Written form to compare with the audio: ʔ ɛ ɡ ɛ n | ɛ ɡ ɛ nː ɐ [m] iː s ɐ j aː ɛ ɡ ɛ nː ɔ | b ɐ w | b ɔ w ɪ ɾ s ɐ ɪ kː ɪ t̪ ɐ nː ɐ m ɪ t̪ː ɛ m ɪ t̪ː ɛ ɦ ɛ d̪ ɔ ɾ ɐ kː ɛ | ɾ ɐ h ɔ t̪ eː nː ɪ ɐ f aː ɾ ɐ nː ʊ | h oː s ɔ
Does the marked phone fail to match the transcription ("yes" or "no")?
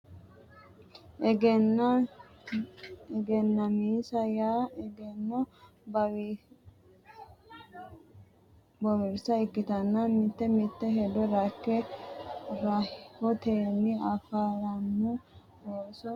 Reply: no